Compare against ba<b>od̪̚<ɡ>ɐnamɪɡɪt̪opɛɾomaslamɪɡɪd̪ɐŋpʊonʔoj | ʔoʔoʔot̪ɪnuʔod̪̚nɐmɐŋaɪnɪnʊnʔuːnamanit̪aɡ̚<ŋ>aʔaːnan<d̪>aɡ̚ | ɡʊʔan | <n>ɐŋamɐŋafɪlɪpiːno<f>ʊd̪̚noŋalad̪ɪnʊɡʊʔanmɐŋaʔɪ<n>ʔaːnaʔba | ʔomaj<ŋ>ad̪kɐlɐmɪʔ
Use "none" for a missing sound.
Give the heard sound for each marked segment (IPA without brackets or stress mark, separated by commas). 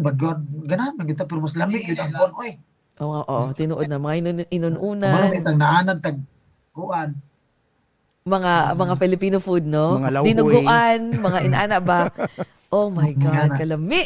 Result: ɡ, ɡ, n, t̪, m, f, n, ɡ